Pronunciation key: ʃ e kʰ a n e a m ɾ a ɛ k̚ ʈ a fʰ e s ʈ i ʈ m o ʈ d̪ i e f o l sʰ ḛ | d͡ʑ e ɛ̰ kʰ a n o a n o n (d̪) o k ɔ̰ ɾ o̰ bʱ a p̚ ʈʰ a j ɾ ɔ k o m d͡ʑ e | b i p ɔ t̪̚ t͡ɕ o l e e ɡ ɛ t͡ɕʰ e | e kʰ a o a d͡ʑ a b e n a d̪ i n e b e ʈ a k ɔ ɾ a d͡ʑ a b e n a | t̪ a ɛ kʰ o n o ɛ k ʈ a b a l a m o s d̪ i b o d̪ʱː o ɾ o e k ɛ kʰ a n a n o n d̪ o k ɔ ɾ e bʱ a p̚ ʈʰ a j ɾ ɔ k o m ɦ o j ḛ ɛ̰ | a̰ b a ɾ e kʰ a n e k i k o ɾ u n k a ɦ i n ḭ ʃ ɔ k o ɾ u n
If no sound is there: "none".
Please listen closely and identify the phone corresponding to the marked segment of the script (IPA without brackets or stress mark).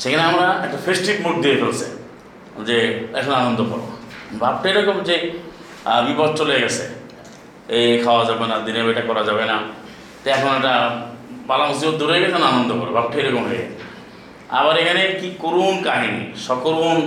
d̪